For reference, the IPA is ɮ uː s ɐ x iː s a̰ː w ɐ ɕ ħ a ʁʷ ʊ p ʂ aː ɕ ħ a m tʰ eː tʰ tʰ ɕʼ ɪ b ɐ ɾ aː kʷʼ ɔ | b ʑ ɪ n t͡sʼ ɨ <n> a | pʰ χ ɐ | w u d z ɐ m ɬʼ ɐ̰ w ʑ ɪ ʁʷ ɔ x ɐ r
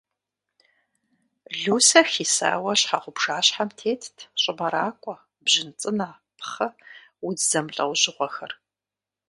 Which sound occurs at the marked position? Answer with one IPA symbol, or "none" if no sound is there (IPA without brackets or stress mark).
n